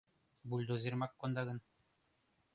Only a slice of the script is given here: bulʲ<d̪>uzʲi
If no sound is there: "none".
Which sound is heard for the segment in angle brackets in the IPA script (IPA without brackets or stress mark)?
d̪